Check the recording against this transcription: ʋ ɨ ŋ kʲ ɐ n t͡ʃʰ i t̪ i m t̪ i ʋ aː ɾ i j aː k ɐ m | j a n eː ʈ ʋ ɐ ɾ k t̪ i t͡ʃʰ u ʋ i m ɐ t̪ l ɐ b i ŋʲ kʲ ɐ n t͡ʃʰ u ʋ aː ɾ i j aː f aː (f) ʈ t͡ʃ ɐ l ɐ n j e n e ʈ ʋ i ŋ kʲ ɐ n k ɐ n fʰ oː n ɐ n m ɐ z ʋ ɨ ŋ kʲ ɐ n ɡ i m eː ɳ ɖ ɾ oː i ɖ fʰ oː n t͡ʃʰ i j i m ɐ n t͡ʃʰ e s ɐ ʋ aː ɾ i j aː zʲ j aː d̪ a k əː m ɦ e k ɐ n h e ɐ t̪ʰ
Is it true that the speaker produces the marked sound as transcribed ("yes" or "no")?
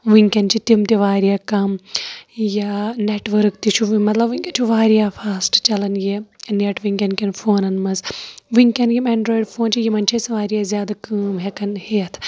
no